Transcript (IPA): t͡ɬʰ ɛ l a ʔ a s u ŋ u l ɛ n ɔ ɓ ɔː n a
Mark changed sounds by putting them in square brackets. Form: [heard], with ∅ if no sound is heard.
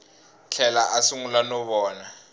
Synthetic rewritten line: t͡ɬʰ ɛ l a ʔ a s u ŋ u l [a] n ɔ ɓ ɔː n a